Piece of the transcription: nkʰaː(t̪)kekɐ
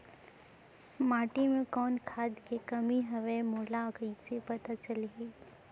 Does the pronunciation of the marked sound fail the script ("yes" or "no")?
yes